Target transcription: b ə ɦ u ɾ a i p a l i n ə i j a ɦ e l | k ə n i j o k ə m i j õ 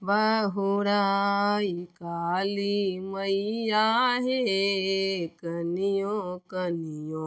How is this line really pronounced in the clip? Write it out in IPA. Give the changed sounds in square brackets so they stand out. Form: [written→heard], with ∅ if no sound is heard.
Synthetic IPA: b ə ɦ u ɾ a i [p→k] a l i [n→m] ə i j a ɦ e [l→∅] | k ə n i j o k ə [m→n] i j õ